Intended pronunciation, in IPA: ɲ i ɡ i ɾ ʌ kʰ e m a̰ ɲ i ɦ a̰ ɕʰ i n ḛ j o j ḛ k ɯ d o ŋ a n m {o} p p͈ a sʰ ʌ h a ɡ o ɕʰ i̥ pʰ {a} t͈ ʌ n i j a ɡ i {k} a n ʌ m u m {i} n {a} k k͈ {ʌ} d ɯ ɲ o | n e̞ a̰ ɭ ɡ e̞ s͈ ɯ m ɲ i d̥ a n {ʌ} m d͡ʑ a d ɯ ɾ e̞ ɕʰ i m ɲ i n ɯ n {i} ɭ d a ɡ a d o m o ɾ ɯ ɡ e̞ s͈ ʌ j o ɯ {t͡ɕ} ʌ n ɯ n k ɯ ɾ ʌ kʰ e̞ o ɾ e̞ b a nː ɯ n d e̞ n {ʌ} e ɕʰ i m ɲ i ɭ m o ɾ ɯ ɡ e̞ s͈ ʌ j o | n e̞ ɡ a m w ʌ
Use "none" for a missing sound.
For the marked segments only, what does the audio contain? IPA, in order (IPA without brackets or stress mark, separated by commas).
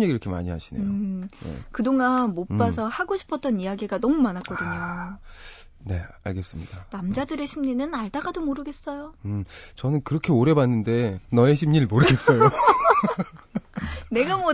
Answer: o, ʌ, ɡ, a, a, ʌ, a, a, t͡ɕ, ʌ